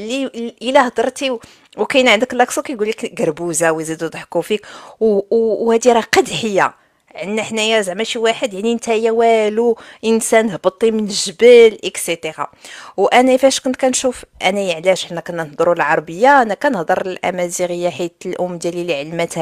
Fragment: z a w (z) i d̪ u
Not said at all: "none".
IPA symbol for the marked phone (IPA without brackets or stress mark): z